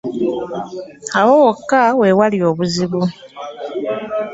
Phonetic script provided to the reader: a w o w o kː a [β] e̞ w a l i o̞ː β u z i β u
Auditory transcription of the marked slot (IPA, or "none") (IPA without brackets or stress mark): w